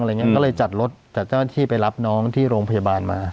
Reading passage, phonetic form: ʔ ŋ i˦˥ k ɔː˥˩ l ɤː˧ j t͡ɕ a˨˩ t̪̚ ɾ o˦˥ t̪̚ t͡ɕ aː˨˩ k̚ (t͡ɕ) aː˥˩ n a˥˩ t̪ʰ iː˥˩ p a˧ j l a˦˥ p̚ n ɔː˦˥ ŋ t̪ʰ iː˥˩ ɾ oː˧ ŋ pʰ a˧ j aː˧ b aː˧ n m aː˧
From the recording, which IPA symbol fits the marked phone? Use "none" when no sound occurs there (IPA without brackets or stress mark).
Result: t͡ɕ